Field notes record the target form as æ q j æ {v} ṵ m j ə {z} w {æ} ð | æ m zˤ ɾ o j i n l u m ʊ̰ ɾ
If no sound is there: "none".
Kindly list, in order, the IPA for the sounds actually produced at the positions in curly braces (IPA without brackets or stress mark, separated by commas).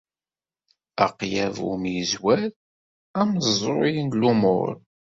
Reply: v, z, æ